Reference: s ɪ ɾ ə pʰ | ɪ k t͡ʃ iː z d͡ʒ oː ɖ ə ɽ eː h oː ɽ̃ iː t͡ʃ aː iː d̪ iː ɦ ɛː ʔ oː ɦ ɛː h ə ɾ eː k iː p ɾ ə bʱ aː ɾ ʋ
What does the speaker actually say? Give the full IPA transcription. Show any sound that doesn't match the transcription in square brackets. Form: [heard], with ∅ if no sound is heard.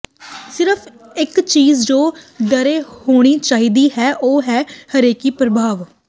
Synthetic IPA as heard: s ɪ ɾ ə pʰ | ɪ k t͡ʃ iː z d͡ʒ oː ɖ ə [ɾ] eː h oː ɽ̃ iː t͡ʃ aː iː d̪ iː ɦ ɛː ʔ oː ɦ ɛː h ə ɾ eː k iː p ɾ ə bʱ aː [∅] ʋ